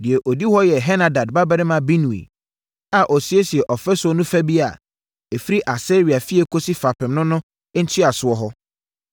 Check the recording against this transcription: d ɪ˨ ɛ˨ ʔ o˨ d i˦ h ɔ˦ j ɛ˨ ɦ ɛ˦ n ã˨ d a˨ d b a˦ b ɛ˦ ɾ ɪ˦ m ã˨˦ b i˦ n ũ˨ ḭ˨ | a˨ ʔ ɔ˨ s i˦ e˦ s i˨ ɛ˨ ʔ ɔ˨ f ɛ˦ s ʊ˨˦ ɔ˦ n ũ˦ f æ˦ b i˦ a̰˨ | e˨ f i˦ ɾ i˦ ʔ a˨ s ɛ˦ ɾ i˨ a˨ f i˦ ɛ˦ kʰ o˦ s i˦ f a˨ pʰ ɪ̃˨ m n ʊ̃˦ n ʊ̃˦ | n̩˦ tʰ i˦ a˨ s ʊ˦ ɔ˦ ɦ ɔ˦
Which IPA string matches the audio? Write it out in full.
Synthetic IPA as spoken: d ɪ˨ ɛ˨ ʔ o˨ d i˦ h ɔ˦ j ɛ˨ ɦ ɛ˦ n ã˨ d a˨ d b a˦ b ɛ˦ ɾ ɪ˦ m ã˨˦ b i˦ n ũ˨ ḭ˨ | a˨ ʔ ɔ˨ s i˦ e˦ s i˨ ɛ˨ ʔ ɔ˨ f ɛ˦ s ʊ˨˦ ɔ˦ n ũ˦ f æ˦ b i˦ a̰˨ | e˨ f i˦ ɾ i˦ ʔ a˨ s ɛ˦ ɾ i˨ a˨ f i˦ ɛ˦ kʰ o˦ s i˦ f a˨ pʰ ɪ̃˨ m n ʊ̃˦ n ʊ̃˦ | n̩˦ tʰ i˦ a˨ s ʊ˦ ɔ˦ ɦ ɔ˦

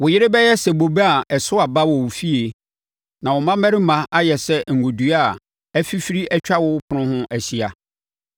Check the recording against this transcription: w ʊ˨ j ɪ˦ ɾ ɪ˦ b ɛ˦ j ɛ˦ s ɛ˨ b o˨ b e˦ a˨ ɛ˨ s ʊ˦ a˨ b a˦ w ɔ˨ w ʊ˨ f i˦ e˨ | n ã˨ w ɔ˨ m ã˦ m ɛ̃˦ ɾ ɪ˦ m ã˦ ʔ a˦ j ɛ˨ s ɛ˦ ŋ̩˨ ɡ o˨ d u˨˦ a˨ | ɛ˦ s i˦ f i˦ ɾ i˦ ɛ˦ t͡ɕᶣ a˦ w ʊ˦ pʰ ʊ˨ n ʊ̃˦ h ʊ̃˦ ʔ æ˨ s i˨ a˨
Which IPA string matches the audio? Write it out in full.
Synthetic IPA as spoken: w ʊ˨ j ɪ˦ ɾ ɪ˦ b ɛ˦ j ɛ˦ s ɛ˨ b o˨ b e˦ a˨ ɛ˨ s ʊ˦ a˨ b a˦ w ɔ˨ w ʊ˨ f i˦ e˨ | n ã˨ w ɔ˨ m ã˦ m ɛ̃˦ ɾ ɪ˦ m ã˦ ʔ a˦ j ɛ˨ s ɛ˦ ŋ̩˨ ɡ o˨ d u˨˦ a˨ | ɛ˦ f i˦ f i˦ ɾ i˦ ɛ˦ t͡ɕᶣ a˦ w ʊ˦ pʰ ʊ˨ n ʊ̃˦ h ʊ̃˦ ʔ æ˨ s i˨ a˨

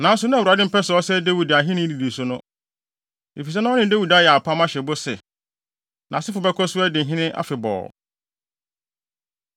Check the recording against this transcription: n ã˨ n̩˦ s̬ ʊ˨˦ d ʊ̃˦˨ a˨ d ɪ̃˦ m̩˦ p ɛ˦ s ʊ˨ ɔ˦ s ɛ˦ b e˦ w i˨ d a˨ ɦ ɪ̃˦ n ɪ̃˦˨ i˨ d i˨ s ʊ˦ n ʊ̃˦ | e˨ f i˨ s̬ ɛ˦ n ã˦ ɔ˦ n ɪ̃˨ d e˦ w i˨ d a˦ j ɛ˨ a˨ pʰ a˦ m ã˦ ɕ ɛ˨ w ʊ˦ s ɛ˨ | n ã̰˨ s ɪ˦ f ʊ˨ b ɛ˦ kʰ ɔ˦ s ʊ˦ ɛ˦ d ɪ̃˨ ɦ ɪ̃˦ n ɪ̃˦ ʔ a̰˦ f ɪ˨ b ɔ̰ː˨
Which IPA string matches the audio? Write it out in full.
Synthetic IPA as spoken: n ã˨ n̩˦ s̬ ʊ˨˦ n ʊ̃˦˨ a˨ d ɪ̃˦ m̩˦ p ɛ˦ s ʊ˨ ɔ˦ s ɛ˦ d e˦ w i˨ d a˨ ɦ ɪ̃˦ n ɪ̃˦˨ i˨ d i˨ s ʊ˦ n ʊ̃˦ | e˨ f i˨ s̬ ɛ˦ n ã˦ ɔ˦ n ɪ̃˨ d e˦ w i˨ d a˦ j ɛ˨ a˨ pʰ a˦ m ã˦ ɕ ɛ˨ b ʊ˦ s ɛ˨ | n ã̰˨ s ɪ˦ f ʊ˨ b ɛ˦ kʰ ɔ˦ s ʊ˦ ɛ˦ d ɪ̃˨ ɦ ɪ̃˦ n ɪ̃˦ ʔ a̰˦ f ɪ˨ b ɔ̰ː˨

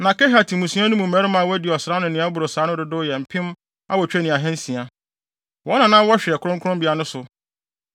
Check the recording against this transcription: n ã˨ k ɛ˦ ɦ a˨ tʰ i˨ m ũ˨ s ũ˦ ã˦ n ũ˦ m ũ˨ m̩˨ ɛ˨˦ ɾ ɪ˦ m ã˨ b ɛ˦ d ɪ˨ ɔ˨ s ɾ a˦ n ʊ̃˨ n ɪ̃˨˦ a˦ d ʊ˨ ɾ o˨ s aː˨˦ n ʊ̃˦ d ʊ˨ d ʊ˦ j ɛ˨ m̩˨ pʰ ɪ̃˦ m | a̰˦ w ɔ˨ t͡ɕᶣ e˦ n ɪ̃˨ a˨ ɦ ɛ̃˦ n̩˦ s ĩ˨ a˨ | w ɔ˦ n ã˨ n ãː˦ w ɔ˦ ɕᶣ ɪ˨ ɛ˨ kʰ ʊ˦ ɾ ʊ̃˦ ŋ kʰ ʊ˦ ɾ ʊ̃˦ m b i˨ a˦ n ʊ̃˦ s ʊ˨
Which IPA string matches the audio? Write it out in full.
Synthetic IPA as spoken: n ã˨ k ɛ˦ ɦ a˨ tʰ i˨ m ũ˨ s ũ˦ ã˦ n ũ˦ m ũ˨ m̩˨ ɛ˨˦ ɾ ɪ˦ m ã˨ w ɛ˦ d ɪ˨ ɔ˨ s ɾ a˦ n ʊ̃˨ n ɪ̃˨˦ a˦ b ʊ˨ ɾ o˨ s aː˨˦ n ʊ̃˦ d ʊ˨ d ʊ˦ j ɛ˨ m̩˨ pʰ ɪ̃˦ m | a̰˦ w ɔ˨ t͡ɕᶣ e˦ n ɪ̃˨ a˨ ɦ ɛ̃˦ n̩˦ s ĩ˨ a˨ | w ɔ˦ n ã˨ n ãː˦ w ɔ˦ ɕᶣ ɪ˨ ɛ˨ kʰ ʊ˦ ɾ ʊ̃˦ ŋ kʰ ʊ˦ ɾ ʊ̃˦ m b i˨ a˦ n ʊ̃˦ s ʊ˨

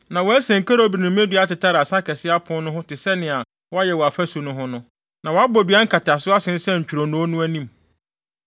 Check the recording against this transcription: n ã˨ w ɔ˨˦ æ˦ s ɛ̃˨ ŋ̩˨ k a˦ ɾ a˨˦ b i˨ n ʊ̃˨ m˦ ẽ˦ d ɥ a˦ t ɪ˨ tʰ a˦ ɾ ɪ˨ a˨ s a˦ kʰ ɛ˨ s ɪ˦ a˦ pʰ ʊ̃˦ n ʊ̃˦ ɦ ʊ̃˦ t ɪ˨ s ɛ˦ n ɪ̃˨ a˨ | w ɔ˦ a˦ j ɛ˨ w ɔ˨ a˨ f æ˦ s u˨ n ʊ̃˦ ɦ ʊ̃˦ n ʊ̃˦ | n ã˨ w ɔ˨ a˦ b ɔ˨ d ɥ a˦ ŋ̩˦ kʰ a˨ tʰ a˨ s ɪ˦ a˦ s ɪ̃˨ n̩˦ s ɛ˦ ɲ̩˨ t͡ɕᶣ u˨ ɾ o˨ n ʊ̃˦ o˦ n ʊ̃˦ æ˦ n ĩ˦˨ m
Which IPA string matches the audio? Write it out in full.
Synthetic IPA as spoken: n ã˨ w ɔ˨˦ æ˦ s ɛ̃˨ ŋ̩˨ k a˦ ɾ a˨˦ b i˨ n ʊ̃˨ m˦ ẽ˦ d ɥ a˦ t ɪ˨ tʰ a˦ ɾ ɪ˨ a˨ s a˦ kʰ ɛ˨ s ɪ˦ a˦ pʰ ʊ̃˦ n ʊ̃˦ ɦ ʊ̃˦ t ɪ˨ s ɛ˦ n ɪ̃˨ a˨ | w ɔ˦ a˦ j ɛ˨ w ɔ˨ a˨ f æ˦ s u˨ n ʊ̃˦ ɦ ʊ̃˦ n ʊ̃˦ | n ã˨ w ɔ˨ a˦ b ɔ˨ d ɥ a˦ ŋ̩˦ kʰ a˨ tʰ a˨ s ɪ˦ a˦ s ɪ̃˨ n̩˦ s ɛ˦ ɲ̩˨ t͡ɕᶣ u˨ ɾ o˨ n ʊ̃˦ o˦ n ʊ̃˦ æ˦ n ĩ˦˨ m

